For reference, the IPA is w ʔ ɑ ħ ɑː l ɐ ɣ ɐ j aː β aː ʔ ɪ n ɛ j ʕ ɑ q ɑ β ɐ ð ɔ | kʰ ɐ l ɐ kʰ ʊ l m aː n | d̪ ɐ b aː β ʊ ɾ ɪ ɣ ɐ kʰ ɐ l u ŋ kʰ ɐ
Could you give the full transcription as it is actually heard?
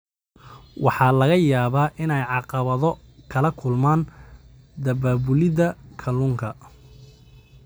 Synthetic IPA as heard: w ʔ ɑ ħ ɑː l ɐ ɣ ɐ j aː β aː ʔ ɪ n ɛ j ʕ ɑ q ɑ β ɐ ð ɔ | kʰ ɐ l ɐ kʰ ʊ l m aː n | d̪ ɐ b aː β ʊ l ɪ ð ɐ kʰ ɐ l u ŋ kʰ ɐ